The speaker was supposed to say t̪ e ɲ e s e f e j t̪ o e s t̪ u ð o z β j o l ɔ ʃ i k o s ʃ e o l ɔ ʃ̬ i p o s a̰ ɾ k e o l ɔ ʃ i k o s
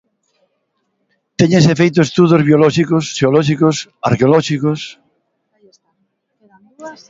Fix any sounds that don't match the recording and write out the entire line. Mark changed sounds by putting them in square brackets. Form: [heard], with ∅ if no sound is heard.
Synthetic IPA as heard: t̪ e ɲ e s e f e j t̪ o e s t̪ u ð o z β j o l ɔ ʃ i k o s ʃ e o l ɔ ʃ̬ i [k] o s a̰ ɾ k e o l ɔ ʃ i k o s